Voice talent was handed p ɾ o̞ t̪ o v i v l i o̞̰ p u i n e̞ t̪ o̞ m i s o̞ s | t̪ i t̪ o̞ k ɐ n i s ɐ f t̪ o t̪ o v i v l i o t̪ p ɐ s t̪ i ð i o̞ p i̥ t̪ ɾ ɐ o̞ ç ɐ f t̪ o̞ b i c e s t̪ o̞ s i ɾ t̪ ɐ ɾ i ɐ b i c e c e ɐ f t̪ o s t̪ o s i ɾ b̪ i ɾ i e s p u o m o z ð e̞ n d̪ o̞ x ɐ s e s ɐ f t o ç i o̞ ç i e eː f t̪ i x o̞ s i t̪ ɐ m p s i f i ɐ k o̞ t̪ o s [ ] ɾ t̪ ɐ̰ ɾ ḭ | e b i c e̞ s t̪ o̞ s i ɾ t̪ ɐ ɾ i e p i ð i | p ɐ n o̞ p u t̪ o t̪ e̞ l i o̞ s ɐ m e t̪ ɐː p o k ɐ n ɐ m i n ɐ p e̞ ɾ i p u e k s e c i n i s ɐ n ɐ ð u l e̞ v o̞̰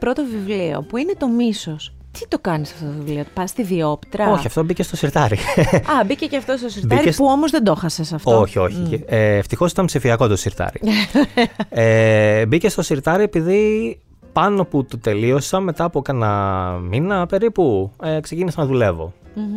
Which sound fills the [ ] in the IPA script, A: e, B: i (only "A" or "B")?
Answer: B